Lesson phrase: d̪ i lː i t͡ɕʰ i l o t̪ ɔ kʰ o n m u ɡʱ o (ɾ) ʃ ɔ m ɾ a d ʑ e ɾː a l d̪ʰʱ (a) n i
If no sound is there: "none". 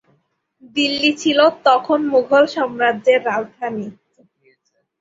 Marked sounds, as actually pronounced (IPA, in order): l, a

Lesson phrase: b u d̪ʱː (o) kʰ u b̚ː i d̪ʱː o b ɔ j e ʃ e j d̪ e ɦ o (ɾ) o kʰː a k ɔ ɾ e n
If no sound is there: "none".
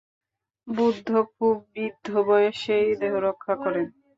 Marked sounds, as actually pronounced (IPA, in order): o, ɾ

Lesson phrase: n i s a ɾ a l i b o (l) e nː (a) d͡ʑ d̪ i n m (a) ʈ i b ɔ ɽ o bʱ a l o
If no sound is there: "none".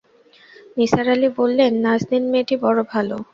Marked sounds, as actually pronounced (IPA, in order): lː, a, e

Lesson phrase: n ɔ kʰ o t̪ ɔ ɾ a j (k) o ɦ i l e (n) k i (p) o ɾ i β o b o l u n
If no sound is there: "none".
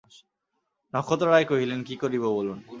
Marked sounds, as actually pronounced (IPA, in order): k, n, k

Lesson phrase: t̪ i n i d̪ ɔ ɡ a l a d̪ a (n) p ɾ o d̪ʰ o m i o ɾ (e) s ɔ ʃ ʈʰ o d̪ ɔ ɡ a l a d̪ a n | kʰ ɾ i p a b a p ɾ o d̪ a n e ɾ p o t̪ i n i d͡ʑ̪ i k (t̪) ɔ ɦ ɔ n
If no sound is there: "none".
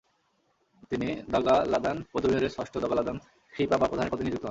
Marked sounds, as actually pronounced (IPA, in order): n, e, t̪

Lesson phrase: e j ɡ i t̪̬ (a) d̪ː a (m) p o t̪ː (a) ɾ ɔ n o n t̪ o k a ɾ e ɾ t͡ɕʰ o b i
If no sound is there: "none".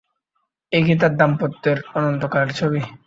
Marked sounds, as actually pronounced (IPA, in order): a, m, e

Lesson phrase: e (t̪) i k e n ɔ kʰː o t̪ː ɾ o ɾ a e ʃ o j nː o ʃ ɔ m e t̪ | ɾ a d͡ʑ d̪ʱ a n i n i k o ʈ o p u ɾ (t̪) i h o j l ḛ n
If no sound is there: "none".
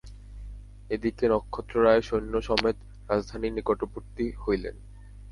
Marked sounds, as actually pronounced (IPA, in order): d̪, t̪

